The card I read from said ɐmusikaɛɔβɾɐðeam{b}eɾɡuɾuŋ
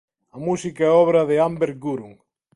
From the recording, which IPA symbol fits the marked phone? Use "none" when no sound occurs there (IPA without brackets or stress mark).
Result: b